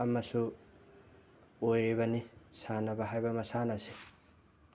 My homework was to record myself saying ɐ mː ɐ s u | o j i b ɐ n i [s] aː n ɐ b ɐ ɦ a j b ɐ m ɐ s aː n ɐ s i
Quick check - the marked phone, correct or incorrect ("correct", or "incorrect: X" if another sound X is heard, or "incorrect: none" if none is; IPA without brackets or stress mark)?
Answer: correct